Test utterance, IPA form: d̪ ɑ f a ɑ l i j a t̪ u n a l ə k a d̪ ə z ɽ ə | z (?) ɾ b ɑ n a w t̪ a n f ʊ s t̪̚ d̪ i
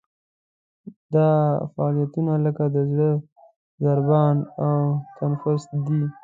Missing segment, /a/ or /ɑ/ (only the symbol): a